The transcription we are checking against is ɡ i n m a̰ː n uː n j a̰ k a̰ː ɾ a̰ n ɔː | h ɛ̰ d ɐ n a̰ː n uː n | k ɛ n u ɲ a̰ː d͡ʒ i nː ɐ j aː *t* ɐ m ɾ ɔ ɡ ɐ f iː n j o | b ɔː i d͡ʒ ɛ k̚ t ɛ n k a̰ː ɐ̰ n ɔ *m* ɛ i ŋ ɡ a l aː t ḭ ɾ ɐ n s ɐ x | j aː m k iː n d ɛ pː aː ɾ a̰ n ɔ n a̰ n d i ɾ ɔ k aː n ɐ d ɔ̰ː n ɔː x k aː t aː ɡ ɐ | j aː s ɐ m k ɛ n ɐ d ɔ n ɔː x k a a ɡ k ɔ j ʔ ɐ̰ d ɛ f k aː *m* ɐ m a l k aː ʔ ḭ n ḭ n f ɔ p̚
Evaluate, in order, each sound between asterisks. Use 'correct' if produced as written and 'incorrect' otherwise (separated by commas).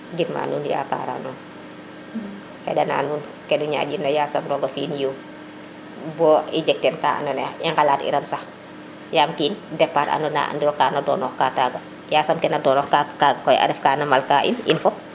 incorrect, incorrect, incorrect